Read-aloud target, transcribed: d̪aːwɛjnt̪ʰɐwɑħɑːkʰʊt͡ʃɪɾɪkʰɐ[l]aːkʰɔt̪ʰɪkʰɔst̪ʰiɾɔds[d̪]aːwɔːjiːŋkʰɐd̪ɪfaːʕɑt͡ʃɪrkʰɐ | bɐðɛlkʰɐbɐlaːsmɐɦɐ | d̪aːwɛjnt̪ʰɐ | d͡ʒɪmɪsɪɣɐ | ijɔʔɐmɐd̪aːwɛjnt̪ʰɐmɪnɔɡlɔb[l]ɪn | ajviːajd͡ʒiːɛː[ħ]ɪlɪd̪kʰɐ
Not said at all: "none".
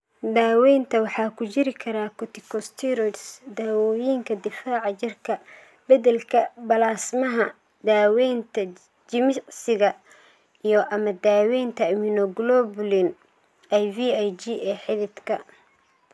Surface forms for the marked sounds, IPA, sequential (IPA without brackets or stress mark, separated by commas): ɾ, d̪, l, ħ